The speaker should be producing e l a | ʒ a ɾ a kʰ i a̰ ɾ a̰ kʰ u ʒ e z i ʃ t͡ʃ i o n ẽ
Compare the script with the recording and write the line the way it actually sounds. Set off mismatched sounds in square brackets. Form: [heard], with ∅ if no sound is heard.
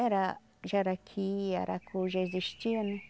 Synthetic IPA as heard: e [ɾ] a | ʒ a ɾ a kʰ i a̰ ɾ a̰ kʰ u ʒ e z i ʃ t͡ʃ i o n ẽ